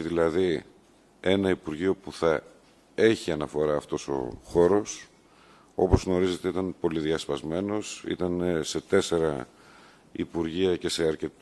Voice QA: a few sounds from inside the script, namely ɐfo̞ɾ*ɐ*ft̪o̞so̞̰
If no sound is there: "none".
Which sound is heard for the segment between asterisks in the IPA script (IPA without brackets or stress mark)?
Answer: ɐː